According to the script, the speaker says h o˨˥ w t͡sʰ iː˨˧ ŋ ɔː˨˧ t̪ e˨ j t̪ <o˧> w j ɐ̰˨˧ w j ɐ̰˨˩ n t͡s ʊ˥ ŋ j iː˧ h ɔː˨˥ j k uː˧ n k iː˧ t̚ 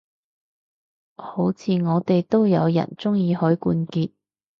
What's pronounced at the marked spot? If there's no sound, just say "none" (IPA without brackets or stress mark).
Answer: o˥